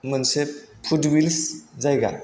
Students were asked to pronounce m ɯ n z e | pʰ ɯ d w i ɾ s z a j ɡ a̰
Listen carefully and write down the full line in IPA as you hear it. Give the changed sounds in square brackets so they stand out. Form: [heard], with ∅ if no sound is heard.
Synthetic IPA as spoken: m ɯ n [s] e | pʰ [u] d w i [l] s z a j ɡ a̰